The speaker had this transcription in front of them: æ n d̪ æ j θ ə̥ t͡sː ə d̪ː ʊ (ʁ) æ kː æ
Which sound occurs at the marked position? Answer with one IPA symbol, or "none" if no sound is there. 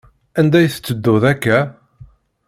ð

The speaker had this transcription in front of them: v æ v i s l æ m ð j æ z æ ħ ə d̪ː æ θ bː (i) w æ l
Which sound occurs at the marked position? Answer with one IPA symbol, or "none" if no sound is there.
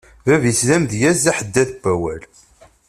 æ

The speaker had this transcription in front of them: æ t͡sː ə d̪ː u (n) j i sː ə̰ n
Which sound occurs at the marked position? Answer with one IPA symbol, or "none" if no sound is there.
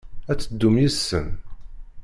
m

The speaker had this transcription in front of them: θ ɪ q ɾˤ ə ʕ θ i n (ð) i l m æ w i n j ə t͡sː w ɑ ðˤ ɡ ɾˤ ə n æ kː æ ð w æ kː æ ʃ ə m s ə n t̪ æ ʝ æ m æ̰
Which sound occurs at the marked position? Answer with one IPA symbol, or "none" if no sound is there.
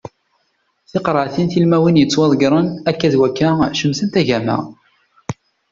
θ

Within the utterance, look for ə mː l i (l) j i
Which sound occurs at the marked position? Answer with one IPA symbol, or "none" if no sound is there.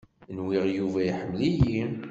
none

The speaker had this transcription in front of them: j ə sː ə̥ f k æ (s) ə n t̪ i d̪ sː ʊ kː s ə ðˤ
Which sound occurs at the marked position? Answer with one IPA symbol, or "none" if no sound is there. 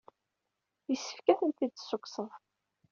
θ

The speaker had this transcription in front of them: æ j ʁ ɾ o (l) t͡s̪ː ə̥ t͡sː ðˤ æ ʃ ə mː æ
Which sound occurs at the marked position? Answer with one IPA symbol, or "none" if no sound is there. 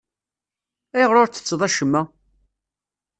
ɾ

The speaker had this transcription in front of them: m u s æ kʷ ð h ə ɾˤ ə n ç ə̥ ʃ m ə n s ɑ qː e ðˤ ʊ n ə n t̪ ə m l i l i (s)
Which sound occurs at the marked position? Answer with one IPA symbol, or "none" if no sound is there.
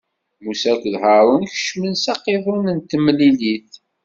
θ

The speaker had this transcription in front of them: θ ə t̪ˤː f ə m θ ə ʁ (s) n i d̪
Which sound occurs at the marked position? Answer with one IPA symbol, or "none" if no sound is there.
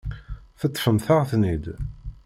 θ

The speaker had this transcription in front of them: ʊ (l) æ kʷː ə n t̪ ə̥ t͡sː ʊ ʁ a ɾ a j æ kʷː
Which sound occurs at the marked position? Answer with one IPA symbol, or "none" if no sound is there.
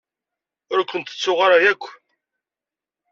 ɾ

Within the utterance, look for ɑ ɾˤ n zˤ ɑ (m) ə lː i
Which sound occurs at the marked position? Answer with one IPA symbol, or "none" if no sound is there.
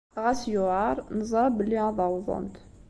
b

